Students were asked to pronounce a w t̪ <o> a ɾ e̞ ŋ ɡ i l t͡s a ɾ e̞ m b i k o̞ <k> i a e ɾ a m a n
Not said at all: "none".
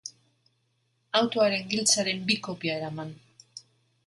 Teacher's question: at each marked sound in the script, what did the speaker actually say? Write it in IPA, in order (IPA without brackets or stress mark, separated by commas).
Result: o, p